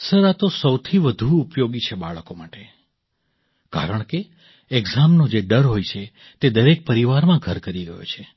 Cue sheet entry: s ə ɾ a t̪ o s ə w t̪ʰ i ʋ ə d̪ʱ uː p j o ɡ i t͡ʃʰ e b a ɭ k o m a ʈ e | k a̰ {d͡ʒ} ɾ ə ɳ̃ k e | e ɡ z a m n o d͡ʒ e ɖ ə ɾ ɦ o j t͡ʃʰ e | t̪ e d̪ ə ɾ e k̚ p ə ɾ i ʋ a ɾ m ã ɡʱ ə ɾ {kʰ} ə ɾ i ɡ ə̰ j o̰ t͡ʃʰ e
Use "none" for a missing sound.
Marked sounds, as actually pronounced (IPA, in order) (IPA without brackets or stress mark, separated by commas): none, k